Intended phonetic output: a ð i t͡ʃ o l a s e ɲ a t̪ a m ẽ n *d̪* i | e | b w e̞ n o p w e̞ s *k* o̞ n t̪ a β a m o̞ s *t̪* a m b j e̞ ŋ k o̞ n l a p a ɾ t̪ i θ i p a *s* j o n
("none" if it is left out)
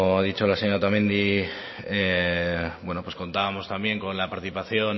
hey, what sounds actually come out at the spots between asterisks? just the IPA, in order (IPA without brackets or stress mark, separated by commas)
d̪, k, t̪, θ